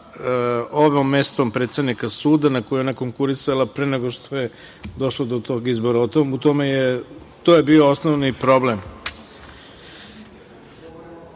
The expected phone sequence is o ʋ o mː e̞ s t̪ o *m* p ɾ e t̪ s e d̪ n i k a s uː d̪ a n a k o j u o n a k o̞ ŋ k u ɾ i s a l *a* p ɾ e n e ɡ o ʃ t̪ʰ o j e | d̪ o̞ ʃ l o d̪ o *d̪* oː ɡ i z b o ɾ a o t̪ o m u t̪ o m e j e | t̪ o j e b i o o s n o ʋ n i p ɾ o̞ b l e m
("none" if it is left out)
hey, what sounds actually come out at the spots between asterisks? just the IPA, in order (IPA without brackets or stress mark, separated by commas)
m, a, t̪